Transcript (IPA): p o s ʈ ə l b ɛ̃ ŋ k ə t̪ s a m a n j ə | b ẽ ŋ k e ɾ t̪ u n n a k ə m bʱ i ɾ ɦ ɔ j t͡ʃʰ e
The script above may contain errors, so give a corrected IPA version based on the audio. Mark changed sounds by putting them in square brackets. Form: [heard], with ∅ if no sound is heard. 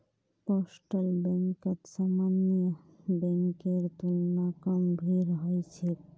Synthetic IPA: p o s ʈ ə l b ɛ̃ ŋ k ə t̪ s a m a n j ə | b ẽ ŋ k e ɾ t̪ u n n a k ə m bʱ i ɾ ɦ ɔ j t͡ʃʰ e